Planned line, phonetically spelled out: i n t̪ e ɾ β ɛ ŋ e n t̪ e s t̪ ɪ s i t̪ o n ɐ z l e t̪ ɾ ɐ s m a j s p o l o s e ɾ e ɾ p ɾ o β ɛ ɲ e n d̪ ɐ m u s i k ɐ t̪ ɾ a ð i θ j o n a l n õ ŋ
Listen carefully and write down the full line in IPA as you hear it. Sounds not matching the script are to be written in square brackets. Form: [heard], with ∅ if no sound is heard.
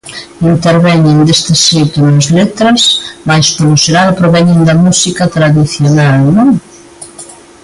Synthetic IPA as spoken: i n t̪ e ɾ β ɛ [ɲ] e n [d̪] e s t̪ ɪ s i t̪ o n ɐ z l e t̪ ɾ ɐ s m a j s p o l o s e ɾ [a] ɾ p ɾ o β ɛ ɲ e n d̪ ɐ m u s i k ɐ t̪ ɾ a ð i θ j o n a l n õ ŋ